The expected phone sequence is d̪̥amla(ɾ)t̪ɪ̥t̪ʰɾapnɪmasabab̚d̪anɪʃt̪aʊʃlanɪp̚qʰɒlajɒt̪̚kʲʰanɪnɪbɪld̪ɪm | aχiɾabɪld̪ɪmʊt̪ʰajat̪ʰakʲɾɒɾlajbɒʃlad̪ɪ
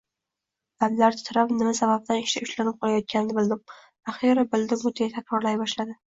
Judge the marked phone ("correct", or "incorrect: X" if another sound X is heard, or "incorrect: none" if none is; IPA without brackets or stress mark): correct